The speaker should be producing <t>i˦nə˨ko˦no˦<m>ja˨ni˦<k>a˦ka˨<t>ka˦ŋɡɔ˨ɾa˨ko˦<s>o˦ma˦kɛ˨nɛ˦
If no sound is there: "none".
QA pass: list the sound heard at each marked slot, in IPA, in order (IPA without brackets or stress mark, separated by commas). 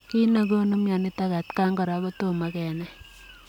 k, m, t, t, t